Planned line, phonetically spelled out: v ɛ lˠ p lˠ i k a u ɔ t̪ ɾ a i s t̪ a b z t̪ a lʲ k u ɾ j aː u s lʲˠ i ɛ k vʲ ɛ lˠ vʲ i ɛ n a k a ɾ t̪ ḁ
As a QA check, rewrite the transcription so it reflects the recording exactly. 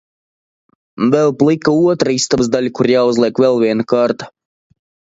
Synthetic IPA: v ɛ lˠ p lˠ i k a u ɔ t̪ ɾ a i s t̪ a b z d̪ a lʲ k u ɾ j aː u z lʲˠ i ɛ k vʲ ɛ lˠ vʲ i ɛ n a k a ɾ t̪ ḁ